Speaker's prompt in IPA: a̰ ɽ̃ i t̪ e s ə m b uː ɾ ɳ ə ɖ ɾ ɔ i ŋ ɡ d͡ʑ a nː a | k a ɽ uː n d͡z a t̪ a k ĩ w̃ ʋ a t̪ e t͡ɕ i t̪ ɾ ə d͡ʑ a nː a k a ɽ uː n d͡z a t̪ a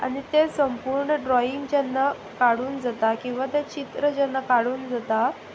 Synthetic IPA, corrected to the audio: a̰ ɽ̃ i t̪ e s ə m p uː ɾ ɳ ə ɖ ɾ ɔ i ŋ ɡ d͡ʑ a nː a | k a ɽ uː n d͡z a t̪ a k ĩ w̃ ʋ a t̪ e t͡ɕ i t̪ ɾ ə d͡ʑ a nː a k a ɽ uː n d͡z a t̪ a